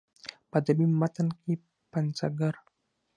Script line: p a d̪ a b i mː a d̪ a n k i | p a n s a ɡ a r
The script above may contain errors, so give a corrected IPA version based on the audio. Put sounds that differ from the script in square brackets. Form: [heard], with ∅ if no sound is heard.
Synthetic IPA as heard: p a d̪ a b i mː a [t̪] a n k i | p a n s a ɡ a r